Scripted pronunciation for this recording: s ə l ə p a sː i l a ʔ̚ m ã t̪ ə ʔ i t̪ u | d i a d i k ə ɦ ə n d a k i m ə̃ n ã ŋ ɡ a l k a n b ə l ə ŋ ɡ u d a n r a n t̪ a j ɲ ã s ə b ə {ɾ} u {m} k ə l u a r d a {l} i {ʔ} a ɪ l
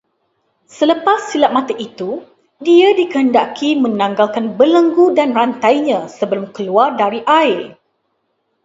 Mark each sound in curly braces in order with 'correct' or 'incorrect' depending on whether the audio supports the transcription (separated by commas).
incorrect, correct, incorrect, correct